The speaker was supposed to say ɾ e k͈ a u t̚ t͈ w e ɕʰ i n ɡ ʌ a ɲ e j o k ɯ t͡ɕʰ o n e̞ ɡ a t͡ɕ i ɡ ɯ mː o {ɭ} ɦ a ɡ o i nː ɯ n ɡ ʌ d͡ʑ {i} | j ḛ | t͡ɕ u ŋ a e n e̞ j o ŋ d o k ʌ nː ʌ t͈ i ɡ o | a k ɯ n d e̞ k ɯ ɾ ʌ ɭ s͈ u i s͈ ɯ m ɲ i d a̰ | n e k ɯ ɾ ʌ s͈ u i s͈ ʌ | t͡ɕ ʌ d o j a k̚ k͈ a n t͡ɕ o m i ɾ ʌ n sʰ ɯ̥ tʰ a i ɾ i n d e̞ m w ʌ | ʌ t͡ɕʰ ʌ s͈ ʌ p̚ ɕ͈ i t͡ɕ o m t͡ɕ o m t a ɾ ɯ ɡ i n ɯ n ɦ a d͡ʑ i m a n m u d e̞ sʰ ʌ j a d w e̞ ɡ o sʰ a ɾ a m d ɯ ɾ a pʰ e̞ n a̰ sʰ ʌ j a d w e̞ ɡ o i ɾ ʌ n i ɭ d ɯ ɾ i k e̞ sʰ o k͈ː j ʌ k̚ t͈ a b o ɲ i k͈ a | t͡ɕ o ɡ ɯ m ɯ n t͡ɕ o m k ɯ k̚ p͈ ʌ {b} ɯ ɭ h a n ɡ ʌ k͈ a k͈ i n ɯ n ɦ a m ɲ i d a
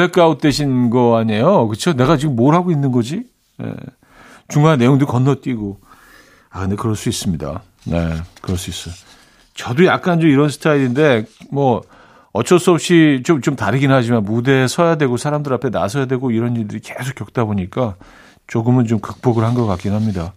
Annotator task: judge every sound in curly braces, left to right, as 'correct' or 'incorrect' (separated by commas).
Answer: incorrect, correct, incorrect